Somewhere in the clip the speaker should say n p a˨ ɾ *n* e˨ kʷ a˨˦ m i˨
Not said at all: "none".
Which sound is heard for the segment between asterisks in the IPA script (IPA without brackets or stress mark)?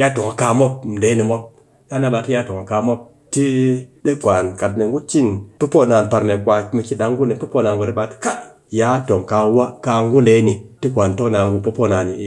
n